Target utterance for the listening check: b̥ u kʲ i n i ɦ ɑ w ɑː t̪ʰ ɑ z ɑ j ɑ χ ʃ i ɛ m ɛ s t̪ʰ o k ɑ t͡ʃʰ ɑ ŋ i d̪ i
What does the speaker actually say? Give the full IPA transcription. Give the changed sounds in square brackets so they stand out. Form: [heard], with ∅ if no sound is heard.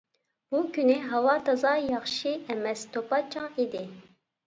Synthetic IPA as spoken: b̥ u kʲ [y] n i ɦ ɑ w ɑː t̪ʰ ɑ z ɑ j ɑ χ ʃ i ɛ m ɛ s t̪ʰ o [p] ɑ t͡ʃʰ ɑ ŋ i d̪ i